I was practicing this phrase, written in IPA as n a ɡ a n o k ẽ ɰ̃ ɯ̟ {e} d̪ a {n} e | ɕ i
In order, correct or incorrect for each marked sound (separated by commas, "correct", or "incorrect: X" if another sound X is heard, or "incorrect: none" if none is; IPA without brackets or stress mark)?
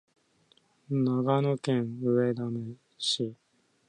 correct, incorrect: m